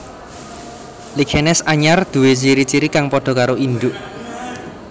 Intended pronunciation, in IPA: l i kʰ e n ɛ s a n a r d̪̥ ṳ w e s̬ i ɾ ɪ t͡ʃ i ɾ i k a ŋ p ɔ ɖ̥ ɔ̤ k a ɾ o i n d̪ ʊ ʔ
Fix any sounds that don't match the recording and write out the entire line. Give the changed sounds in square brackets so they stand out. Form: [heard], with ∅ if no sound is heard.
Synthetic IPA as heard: l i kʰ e n ɛ s a [ɲ] a r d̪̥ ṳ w e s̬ i ɾ [i] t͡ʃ i ɾ i k a ŋ p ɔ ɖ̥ ɔ̤ k a ɾ o i n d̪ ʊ ʔ